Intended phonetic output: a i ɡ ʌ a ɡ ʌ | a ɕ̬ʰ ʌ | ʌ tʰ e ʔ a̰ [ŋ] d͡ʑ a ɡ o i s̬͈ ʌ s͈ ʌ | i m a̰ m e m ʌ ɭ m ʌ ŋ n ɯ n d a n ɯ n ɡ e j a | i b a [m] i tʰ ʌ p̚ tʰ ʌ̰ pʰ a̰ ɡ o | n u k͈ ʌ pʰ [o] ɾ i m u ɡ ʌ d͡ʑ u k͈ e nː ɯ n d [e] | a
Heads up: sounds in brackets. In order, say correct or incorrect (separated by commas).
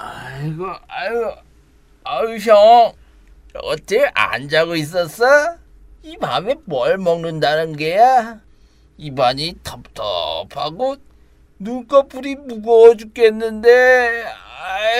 incorrect, incorrect, incorrect, correct